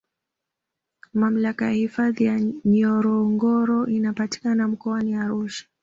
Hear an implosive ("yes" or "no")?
no